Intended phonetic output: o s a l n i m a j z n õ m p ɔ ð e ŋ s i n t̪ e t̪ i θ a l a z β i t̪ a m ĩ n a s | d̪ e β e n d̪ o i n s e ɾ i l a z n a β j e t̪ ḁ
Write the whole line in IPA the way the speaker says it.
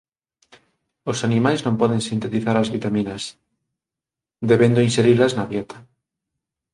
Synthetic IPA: o s a n i m a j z n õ m p ɔ ð e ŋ s i n t̪ e t̪ i θ a ɾ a z β i t̪ a m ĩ n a s | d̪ e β e n d̪ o i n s e ɾ i l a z n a β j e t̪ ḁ